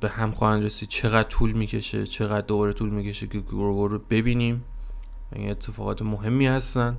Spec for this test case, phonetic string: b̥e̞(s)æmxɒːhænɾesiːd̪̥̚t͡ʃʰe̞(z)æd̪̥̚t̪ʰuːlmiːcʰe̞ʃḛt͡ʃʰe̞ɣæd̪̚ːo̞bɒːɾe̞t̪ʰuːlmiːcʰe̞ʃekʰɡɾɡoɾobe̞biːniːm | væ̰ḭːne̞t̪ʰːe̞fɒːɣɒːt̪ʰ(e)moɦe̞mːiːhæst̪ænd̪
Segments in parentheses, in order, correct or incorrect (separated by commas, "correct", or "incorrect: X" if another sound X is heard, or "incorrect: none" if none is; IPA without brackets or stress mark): incorrect: h, incorrect: ɣ, correct